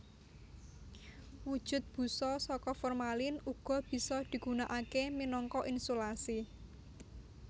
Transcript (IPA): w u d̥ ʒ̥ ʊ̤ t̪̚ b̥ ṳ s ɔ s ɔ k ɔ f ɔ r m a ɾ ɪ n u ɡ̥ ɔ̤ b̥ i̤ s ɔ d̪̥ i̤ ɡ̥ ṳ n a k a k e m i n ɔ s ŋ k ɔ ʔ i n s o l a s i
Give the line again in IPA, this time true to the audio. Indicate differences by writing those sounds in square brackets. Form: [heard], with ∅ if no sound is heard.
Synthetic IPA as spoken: w u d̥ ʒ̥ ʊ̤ t̪̚ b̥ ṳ s ɔ s ɔ k ɔ f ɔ r m a [l] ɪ n u ɡ̥ ɔ̤ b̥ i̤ s ɔ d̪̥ i̤ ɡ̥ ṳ n a [ʔ] a k e m i n ɔ [∅] ŋ k ɔ ʔ i n s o l a s i